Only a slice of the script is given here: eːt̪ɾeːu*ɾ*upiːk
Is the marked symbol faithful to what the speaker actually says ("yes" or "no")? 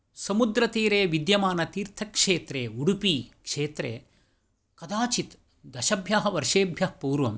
no